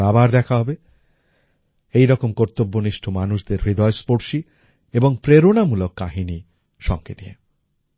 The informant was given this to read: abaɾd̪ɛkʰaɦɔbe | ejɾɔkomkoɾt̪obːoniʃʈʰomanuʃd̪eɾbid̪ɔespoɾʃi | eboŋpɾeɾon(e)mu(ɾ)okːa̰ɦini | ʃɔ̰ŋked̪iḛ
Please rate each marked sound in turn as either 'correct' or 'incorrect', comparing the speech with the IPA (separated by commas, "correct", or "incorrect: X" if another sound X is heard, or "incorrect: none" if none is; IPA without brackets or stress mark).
incorrect: a, incorrect: l